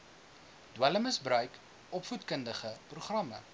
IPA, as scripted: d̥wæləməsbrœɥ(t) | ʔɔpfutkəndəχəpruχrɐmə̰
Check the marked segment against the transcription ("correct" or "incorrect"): incorrect